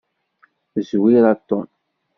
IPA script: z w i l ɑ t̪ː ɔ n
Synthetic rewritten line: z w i ɾ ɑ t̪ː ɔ n